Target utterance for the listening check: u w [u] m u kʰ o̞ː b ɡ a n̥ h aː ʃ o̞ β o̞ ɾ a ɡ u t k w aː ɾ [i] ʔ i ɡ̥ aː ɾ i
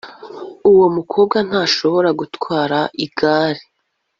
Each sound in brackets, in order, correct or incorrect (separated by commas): incorrect, incorrect